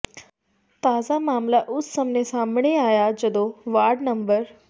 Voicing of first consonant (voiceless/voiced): voiceless